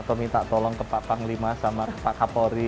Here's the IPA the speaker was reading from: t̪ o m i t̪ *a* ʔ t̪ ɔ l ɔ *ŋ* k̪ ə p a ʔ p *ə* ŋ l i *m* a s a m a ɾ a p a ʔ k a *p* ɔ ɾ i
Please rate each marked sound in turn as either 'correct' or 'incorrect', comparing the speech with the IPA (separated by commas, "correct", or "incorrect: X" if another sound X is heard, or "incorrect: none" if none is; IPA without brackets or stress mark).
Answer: correct, correct, incorrect: a, correct, correct